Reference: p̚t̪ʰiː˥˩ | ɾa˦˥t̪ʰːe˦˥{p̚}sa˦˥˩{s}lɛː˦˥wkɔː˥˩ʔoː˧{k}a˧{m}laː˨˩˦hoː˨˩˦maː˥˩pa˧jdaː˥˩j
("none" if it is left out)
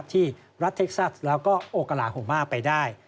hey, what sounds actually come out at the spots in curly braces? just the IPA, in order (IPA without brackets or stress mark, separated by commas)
k̚, s, k, none